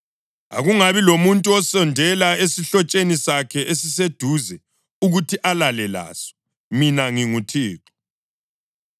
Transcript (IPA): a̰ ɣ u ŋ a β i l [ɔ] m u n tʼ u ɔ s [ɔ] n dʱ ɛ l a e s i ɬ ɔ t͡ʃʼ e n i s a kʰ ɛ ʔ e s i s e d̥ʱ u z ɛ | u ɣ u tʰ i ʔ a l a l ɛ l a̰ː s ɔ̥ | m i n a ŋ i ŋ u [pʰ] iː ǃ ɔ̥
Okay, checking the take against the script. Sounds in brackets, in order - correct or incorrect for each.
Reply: incorrect: o, correct, incorrect: tʰ

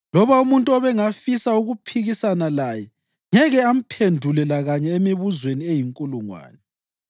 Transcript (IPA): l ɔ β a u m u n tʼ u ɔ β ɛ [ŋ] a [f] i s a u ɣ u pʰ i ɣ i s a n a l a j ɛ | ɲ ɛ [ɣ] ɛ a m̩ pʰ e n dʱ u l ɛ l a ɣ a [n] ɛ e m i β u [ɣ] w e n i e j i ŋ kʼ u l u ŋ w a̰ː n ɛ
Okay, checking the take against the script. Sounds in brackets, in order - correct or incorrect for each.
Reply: correct, correct, correct, incorrect: ɲ, incorrect: z

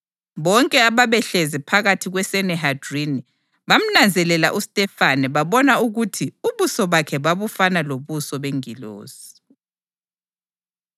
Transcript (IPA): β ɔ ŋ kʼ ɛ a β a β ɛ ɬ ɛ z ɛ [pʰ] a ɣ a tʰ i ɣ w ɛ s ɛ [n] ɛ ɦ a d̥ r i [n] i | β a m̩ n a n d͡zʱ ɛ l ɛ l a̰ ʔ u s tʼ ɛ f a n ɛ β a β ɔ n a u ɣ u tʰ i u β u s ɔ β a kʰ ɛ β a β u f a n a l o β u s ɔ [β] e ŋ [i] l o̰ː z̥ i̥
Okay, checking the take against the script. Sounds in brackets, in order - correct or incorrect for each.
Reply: correct, correct, correct, correct, correct

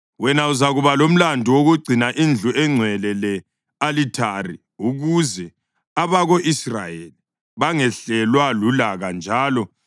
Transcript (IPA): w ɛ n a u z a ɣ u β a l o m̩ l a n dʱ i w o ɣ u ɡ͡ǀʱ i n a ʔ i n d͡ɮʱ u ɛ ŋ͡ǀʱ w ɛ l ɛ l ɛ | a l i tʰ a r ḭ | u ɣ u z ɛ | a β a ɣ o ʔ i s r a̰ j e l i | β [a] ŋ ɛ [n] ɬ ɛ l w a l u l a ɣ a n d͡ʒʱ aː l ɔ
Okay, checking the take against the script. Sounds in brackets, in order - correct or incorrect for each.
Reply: correct, incorrect: none

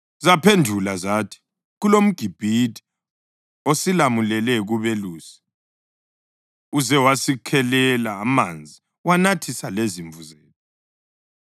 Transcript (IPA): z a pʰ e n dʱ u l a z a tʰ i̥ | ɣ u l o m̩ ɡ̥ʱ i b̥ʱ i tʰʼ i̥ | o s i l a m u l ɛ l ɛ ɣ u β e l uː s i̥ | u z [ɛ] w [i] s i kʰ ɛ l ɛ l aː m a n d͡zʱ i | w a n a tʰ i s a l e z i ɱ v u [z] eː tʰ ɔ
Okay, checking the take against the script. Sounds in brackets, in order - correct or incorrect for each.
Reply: correct, incorrect: a, correct

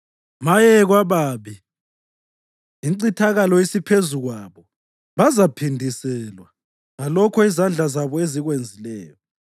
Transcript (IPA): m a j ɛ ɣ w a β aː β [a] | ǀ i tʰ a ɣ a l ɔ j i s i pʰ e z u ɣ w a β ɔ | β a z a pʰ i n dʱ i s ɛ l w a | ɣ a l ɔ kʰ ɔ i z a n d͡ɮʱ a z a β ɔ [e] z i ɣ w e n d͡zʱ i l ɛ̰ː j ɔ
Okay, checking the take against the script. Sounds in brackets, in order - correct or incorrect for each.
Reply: incorrect: i, correct

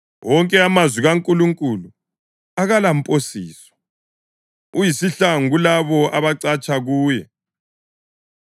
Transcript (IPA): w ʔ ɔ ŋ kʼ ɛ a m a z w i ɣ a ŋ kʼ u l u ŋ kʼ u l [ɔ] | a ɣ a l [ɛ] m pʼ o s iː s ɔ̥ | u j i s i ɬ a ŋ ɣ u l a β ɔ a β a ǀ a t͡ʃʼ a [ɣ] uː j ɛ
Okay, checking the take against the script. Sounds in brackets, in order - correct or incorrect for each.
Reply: incorrect: u, incorrect: a, correct

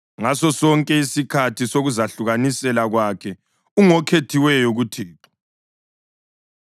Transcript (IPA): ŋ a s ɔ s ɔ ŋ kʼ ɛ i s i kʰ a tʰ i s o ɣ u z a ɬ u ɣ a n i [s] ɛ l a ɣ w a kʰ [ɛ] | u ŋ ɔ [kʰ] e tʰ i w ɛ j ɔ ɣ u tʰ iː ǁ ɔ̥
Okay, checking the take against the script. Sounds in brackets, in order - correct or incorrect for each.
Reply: correct, correct, correct

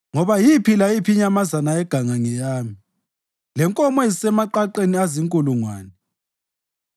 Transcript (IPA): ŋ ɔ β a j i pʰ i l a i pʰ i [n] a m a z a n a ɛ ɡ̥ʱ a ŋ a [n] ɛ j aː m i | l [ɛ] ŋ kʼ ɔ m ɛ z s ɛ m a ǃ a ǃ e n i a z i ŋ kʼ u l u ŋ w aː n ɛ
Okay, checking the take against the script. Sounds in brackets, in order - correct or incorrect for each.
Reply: incorrect: ɲ, incorrect: ŋ, correct

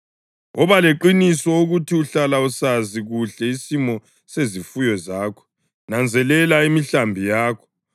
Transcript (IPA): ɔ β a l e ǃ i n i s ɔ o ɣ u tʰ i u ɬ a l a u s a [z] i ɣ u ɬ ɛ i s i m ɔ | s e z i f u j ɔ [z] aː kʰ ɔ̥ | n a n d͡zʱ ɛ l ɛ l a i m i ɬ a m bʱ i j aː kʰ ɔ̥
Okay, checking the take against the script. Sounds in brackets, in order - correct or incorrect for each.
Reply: correct, correct

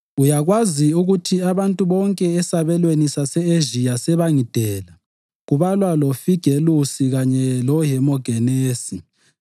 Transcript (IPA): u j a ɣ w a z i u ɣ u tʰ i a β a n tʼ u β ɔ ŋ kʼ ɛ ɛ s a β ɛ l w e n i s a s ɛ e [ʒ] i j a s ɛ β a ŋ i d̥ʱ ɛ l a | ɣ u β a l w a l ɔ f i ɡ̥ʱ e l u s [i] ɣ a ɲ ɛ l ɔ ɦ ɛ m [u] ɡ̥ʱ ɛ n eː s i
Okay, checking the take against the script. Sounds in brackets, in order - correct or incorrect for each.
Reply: correct, correct, incorrect: ɔ

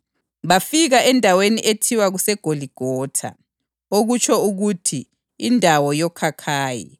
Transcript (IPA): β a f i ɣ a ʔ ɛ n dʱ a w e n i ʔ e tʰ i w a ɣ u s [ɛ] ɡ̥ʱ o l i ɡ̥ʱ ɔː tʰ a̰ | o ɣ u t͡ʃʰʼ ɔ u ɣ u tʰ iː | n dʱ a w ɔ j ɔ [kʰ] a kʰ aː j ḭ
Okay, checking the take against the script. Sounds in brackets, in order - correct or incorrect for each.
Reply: correct, correct

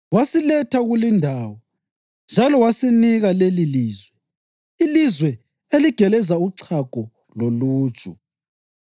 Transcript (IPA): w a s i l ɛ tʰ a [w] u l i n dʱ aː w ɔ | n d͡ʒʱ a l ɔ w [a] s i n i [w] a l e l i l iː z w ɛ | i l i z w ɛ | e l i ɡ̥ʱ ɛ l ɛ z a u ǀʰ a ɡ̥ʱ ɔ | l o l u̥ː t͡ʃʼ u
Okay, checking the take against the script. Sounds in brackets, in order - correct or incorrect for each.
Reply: incorrect: ɣ, correct, incorrect: ɣ

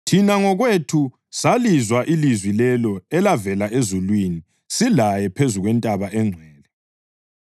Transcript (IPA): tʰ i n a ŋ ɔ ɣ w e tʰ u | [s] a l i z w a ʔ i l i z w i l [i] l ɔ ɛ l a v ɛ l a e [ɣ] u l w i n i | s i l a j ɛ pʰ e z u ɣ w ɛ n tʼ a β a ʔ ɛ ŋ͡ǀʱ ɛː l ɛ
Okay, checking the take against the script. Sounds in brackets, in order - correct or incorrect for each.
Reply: correct, incorrect: ɛ, incorrect: z

